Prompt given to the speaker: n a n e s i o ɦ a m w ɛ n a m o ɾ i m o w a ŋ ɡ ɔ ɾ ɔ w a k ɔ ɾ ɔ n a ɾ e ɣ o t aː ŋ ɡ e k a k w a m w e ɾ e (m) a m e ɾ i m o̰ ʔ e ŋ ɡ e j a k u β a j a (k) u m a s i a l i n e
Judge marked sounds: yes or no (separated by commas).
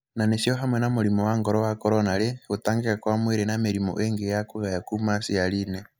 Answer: no, yes